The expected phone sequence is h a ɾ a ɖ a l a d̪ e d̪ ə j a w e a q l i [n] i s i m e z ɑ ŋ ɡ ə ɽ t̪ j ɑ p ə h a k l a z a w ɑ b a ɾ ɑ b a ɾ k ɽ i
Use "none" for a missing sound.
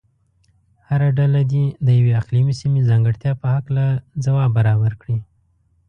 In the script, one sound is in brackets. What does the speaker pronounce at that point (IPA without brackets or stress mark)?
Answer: m